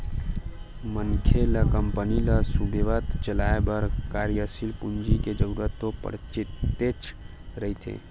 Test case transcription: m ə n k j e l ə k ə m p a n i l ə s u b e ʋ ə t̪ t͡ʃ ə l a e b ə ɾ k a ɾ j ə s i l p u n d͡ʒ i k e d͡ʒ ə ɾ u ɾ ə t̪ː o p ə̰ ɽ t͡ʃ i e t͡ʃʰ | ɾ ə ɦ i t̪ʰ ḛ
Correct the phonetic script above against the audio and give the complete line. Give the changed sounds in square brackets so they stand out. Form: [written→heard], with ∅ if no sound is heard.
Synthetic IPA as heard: m ə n [k→kʰ] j e l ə k ə m p [a→ə] n i l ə s u b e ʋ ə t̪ t͡ʃ ə l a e b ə ɾ k a ɾ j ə s i l p u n d͡ʒ i k e d͡ʒ ə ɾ u ɾ ə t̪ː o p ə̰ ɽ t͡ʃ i e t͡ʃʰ | ɾ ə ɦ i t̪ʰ ḛ